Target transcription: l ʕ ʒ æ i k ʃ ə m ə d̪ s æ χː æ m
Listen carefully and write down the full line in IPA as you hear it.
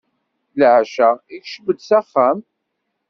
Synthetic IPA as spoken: l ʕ ʃ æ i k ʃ ə b ə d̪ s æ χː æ m